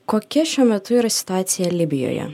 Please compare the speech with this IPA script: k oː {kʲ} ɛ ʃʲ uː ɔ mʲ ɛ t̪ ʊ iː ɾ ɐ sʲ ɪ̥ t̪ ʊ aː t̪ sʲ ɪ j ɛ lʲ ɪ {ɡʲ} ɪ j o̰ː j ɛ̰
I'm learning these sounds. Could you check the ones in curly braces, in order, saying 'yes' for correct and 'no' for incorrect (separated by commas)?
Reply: yes, no